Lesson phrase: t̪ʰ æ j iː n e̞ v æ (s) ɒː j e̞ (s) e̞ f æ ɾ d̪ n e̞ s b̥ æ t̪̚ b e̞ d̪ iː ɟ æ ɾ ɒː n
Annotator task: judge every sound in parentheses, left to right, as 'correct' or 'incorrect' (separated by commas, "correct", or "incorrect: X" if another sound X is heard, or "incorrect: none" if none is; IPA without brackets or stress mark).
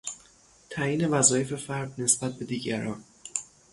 incorrect: z, incorrect: f